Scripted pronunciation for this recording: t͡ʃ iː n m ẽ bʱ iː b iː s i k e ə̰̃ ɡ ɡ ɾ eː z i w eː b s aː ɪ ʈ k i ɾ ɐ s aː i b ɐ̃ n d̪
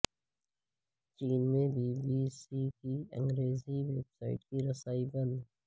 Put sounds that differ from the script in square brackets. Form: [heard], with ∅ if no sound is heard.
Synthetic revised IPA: t͡ʃ iː n m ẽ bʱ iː b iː s i k [i] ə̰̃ [ŋ] ɡ ɾ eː z i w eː b s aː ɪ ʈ k i ɾ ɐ s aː i b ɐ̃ n d̪